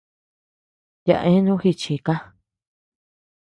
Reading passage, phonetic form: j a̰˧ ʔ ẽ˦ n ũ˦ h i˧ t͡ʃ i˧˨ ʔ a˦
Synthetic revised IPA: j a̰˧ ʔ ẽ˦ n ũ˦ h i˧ t͡ʃ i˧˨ k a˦